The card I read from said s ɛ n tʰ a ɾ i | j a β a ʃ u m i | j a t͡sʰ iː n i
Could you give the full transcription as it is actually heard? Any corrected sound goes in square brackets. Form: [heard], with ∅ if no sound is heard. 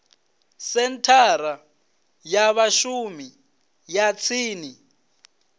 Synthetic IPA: s ɛ n tʰ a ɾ [a] | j a β a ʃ u m i | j a t͡sʰ iː n i